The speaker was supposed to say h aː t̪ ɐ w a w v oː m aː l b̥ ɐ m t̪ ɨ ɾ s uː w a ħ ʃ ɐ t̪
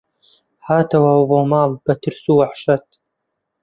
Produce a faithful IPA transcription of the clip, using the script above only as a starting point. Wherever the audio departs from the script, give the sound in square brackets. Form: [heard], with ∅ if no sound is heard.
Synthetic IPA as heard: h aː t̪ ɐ w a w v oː m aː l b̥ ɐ [∅] t̪ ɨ ɾ s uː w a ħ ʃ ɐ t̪